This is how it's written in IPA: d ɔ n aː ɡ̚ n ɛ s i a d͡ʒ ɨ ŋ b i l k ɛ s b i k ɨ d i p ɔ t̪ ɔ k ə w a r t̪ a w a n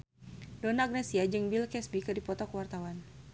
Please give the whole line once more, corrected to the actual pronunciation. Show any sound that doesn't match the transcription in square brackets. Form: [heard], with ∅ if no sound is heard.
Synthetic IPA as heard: d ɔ n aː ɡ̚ n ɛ s i a d͡ʒ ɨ ŋ b i l k ɛ s b i k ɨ d i p ɔ t̪ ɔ k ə w a r t̪ a w a n